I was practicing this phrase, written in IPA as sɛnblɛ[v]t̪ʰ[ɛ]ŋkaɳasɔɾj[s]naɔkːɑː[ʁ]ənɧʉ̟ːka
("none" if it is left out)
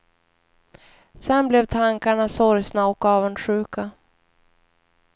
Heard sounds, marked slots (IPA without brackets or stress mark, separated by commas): v, a, s, v